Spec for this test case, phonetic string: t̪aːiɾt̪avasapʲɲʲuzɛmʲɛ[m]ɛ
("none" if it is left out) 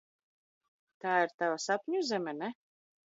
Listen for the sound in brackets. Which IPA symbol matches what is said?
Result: n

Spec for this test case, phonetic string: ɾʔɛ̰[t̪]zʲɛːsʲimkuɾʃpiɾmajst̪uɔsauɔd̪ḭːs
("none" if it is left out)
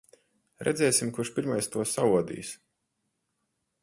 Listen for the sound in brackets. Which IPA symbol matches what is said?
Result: d̪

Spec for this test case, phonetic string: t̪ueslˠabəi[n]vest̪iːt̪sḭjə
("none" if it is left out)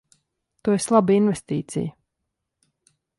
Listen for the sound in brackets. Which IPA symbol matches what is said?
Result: n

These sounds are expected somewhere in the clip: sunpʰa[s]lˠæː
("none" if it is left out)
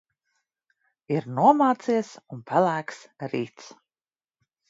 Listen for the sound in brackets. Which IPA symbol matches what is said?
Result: none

